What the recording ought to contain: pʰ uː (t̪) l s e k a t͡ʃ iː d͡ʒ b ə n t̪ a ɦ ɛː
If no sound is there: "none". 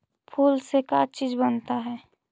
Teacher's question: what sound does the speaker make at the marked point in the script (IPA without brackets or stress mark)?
none